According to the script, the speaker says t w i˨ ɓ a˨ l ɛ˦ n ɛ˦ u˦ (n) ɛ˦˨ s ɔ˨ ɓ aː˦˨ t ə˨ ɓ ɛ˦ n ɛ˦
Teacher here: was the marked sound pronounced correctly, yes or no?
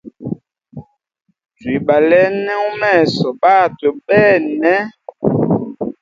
no